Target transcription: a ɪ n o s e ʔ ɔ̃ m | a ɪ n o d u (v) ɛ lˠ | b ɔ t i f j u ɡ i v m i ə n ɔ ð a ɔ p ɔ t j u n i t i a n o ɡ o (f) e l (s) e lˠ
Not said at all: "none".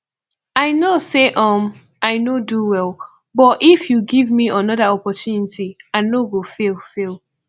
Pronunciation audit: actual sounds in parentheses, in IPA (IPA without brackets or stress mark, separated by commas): w, f, f